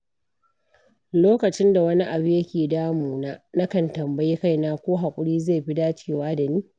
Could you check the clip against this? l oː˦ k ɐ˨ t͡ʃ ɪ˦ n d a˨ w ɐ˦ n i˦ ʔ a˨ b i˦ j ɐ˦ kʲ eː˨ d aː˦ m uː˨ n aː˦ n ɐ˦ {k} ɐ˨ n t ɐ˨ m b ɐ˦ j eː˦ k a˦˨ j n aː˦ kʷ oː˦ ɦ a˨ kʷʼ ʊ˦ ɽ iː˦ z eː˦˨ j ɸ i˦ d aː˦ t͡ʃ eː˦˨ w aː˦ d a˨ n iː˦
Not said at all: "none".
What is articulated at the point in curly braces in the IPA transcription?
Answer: k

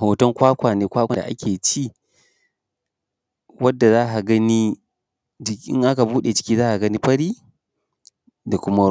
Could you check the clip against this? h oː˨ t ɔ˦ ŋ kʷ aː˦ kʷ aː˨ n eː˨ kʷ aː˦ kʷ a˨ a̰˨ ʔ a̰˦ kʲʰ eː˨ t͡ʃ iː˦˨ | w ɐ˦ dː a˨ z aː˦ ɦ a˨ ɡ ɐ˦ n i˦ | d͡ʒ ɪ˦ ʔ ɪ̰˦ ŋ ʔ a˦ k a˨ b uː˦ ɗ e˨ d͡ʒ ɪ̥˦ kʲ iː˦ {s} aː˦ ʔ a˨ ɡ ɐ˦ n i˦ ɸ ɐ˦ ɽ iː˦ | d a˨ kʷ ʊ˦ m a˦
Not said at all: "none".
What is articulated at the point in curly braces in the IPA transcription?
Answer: z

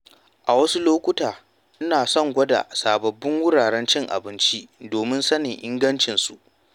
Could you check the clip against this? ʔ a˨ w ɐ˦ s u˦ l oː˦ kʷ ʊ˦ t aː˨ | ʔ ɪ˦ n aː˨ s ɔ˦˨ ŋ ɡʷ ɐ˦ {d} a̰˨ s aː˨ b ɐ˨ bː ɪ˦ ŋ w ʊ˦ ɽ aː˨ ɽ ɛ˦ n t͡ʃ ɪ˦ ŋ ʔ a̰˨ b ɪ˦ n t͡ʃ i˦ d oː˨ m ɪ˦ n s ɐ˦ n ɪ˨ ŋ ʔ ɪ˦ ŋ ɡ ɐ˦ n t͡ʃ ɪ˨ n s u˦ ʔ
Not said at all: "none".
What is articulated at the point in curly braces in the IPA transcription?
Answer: d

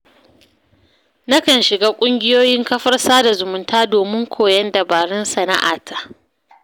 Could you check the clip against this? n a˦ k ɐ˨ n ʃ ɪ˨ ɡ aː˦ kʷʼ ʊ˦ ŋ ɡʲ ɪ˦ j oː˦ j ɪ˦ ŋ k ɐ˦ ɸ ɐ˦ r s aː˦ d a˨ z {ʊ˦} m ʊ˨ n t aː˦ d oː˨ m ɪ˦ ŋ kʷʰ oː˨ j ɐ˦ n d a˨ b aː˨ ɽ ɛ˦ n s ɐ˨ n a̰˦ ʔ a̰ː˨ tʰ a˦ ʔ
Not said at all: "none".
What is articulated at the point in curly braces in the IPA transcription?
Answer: ʊ˨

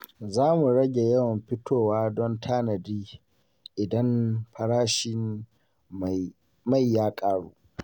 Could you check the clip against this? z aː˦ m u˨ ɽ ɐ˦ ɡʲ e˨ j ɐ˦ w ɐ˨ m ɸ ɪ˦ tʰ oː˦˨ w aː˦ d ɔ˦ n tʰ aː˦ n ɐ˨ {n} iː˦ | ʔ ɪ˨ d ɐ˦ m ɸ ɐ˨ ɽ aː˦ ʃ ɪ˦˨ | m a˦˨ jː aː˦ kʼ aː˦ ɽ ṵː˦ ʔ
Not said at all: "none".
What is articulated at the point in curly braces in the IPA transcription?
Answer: d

